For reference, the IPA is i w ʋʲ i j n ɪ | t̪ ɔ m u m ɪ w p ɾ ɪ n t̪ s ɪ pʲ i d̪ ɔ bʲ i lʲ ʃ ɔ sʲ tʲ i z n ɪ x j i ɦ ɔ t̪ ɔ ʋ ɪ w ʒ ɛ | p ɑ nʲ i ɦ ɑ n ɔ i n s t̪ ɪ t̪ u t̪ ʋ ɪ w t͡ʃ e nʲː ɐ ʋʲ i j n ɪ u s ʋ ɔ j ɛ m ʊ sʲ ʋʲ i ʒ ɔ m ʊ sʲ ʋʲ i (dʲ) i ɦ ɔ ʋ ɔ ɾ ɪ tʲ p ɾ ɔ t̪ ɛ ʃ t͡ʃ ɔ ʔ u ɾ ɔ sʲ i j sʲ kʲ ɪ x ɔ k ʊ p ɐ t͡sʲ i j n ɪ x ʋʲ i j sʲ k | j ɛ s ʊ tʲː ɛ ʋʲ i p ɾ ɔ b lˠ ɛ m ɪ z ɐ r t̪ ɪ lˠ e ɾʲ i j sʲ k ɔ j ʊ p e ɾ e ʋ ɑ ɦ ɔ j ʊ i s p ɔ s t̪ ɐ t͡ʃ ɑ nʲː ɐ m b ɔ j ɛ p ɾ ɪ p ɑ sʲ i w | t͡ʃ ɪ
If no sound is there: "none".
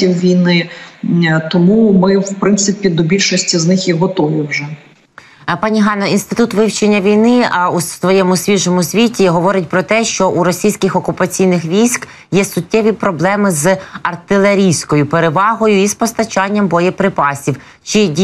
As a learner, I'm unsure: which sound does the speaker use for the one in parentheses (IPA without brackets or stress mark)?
tʲ